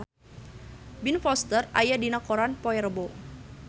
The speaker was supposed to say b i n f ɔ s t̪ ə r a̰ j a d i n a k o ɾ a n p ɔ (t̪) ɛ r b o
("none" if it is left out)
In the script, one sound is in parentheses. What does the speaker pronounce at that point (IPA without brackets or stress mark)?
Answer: none